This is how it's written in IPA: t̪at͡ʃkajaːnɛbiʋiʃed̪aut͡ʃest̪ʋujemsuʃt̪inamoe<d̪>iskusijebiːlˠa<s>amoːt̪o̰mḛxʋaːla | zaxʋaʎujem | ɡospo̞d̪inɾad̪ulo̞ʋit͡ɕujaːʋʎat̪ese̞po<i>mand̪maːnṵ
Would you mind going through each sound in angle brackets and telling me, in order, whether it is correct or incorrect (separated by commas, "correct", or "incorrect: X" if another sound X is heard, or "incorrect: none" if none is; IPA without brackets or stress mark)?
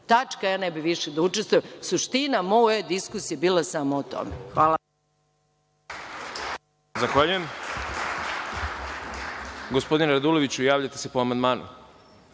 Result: correct, correct, incorrect: a